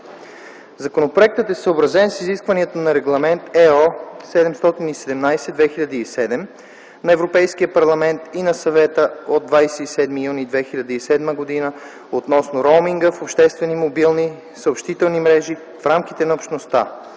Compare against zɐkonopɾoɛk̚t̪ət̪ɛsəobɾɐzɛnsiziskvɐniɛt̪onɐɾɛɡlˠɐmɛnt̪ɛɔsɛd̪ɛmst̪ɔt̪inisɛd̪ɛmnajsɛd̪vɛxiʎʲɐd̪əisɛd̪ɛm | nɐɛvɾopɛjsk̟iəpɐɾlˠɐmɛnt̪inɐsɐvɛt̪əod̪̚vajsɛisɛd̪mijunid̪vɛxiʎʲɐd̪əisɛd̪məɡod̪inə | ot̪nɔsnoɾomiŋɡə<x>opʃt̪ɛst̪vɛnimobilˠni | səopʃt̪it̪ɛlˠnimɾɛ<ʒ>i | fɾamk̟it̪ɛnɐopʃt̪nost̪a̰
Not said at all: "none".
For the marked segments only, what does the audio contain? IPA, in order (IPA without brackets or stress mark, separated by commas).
f, ʒ